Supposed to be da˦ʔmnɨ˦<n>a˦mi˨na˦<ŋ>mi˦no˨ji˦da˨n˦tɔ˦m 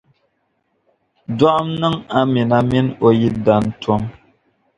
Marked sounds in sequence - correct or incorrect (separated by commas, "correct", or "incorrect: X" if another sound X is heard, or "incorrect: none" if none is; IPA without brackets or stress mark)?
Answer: incorrect: ŋ, incorrect: none